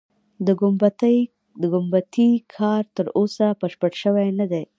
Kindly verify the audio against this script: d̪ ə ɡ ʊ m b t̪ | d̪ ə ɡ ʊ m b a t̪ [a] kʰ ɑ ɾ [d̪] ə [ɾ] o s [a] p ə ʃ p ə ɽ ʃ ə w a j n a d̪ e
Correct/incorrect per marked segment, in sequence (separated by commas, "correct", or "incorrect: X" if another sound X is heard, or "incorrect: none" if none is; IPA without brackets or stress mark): incorrect: i, incorrect: t̪, correct, correct